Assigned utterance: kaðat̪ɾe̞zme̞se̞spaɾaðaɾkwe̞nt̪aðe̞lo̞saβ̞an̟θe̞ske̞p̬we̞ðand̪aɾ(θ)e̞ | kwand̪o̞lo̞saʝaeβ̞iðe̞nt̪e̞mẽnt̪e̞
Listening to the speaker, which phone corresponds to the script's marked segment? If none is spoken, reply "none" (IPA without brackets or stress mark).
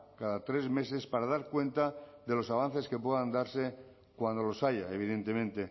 s